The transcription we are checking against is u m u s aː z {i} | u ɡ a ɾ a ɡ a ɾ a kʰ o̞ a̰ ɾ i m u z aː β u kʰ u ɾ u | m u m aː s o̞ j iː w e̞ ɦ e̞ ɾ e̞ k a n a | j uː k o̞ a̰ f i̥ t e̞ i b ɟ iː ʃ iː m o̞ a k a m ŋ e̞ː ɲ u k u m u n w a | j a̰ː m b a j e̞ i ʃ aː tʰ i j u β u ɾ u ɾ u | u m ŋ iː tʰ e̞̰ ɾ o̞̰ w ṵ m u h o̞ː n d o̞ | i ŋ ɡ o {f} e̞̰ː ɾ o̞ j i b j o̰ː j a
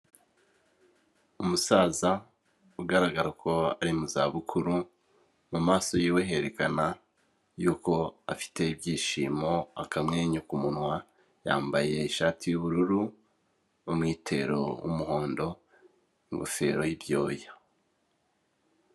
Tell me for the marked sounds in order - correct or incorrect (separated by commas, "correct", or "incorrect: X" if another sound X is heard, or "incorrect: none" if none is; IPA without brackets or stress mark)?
incorrect: a, correct